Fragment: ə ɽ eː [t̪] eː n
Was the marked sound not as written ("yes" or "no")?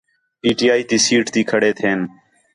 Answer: yes